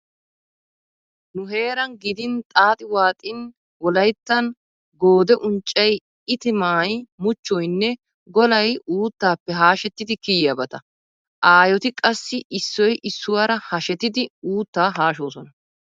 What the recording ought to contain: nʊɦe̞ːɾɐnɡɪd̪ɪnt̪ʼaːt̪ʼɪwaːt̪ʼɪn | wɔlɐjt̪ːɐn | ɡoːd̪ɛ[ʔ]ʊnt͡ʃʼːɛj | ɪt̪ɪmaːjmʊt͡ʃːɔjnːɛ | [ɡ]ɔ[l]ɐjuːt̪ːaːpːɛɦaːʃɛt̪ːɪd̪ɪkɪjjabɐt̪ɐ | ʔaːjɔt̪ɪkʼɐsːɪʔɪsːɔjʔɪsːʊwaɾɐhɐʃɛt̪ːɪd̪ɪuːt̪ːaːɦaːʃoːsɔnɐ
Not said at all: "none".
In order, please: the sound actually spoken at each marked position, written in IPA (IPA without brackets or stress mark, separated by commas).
ʔ, ɡ, l